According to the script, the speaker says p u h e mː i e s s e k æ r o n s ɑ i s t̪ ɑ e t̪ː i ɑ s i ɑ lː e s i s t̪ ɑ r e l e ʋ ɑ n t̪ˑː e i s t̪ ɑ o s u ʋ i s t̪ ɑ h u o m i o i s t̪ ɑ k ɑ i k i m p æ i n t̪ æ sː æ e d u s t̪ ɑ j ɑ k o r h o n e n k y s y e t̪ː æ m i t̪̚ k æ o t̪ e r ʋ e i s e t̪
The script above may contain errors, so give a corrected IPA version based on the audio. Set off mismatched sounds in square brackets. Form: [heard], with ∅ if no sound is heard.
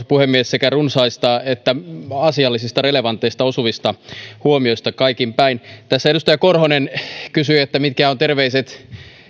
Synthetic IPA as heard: p u h e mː i e s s e k æ r [u] n s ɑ i s t̪ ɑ e t̪ː [æ] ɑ s i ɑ lː [i] s i s t̪ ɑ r e l e ʋ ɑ n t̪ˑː e i s t̪ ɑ o s u ʋ i s t̪ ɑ h u o m i o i s t̪ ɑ k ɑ i k i m p æ i n t̪ æ sː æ e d u s t̪ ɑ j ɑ k o r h o n e n k y s y e t̪ː æ m i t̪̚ k æ o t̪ e r ʋ e i s e t̪

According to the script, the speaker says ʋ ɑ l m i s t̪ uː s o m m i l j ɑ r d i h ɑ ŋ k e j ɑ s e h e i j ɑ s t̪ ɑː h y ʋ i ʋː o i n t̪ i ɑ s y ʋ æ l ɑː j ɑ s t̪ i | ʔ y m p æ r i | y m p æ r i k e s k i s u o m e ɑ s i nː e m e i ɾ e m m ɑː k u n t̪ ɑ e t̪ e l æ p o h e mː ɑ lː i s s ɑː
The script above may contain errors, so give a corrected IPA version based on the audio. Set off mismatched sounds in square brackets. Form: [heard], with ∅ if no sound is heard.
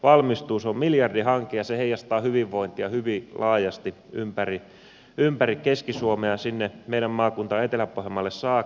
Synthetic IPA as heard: ʋ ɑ l m i s t̪ uː s o m m i l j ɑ r d i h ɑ ŋ k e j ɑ s e h e i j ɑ s t̪ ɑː h y ʋ i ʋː o i n t̪ i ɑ [h] y ʋ [i] l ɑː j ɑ s t̪ i | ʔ y m p æ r i | y m p æ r i k e s k i s u o m e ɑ s i nː e m e i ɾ [æ] m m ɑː k u n t̪ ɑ e t̪ e l æ p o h e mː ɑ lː [e] s s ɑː

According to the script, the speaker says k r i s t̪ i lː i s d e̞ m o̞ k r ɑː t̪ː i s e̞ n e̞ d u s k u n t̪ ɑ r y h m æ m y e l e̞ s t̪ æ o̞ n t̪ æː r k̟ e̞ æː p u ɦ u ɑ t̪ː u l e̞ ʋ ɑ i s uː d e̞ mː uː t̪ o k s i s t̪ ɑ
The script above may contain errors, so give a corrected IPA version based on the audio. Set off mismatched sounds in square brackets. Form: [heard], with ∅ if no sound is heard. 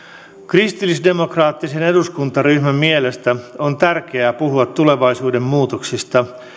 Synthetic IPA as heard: k r i s t̪ i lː i s d e̞ m o̞ k r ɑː t̪ː i s e̞ n e̞ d u s k u n t̪ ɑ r y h m æ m [i] e l e̞ s t̪ æ o̞ n t̪ [æ] r k̟ e̞ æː p u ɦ u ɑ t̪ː u l e̞ ʋ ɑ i s uː d e̞ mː uː t̪ o k s i s t̪ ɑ

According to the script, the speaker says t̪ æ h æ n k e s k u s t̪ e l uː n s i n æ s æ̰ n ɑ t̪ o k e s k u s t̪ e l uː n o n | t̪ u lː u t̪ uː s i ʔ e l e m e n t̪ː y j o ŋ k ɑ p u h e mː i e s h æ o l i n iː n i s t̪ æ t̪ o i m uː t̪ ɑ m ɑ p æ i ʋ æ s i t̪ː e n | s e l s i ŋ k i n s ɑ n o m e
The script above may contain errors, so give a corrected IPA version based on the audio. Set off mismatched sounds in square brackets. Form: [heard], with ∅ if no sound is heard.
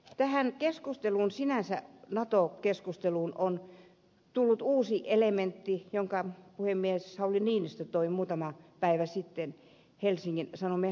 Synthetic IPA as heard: t̪ æ h æ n k e s k u s t̪ e l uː n s i n æ s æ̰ n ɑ t̪ o k e s k u s t̪ e l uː n o n | t̪ u lː u t̪ uː s i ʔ e l e m e n t̪ː [i] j o ŋ k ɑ p u h e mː i e s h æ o l i n iː n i s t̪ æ t̪ o i m uː t̪ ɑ m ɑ p æ i ʋ æ s i t̪ː e n | [h] e l s i ŋ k i n s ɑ n o m e

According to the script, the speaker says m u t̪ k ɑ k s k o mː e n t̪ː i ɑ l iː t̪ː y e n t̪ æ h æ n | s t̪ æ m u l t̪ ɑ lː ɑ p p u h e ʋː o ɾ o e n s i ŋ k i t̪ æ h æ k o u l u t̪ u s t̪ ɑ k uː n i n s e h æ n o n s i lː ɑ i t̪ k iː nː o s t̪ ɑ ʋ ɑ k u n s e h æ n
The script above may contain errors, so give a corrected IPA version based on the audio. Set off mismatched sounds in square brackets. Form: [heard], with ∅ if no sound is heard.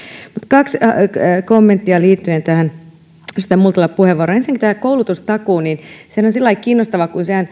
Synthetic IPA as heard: m u t̪ k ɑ k s k o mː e n t̪ː i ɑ l iː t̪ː y e n t̪ æ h æ n | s t̪ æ m u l t̪ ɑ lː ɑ p p u h e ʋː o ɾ o e n s i ŋ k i t̪ æ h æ k o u l u t̪ u s t̪ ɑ k uː n i n s e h æ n o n s i lː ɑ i [∅] k iː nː o s t̪ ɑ ʋ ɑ k u n s e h æ n

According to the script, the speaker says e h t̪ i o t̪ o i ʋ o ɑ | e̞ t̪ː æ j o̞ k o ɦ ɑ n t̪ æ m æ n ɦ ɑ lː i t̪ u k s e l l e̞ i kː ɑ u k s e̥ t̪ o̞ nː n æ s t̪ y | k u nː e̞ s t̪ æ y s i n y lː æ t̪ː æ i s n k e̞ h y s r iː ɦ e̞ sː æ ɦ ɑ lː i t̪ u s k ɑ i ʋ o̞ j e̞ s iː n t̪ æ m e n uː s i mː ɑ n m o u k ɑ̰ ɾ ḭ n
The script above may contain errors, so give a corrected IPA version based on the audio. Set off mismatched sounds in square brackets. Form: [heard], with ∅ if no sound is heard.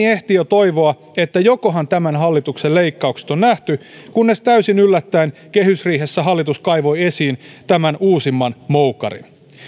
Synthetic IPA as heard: e h t̪ i o t̪ o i ʋ o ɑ | e̞ t̪ː æ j o̞ k o ɦ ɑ n t̪ æ m æ n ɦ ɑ lː i t̪ u k s e l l e̞ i kː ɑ u k s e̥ t̪ o̞ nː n æ [h] t̪ y | k u nː e̞ s t̪ æ y s i n y lː æ t̪ː æ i [∅] n k e̞ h y s r iː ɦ e̞ sː æ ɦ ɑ lː i t̪ u s k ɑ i ʋ o̞ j e̞ s iː n t̪ æ m [æ] n uː s i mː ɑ n m o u k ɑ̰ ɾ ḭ n

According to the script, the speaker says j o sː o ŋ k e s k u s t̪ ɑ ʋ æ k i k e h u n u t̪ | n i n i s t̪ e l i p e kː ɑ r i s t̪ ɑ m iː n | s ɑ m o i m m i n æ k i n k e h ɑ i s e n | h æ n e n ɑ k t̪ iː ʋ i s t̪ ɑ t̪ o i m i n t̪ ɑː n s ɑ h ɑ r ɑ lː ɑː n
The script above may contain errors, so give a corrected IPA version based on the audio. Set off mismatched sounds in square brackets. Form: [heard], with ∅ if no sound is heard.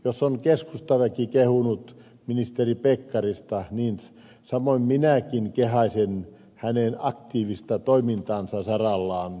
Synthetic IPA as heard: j o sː o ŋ k e s k u s t̪ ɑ ʋ æ k i k e h u n u t̪ | [m] i n i s t̪ e [r] i p e kː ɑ r i s t̪ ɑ [n] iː n | s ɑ m o i m m i n æ k i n k e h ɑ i s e n | h æ n e n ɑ k t̪ iː ʋ i s t̪ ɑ t̪ o i m i n t̪ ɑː n s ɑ [s] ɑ r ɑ lː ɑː n

